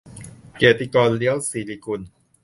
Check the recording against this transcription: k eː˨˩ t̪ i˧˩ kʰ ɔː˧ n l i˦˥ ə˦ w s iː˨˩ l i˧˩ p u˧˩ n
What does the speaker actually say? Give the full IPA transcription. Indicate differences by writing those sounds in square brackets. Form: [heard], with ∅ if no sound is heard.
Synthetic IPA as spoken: k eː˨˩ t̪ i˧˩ [k] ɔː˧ n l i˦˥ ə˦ w s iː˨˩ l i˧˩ [k] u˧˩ n